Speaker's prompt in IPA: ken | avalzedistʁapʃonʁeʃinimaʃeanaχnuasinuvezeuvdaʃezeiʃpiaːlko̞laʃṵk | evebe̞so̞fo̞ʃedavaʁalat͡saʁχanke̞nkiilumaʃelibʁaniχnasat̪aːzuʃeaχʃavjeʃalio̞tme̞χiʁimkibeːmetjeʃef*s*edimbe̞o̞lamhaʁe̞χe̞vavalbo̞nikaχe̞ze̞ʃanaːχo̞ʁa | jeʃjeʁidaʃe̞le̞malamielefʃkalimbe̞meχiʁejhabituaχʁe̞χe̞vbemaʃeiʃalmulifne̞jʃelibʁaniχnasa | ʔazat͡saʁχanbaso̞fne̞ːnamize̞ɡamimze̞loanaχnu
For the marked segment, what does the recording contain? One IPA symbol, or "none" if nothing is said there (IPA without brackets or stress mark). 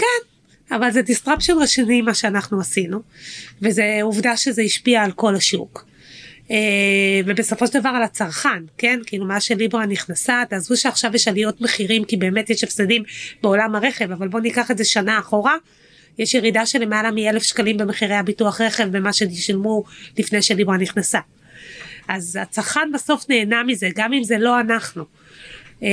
s